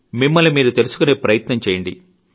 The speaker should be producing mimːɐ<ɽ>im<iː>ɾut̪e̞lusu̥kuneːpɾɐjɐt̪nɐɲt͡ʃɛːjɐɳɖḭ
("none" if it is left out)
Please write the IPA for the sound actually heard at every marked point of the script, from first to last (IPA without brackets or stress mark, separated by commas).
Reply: l, iː